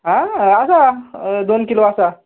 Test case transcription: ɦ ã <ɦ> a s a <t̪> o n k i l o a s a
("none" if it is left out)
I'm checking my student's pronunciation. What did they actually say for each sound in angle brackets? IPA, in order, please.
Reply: none, d̪

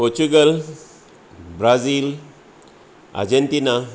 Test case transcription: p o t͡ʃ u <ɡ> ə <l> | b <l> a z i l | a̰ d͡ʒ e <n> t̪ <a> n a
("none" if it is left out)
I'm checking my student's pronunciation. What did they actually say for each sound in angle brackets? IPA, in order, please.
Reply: ɡ, l, ɾ, n, i

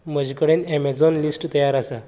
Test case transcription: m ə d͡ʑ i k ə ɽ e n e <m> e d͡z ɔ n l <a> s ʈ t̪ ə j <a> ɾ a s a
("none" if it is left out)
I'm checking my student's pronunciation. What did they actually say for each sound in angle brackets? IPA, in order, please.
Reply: m, i, a

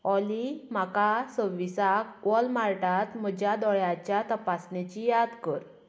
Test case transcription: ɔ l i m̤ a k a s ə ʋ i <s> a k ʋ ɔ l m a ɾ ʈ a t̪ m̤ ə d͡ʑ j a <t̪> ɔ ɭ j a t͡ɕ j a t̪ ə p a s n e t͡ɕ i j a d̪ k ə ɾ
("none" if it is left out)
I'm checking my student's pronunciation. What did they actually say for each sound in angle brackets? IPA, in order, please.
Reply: s, d̪

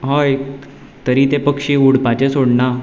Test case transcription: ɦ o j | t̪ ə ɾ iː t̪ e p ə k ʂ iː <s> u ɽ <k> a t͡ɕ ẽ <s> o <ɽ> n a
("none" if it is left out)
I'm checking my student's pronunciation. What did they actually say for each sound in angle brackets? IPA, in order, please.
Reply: none, p, s, ɽ

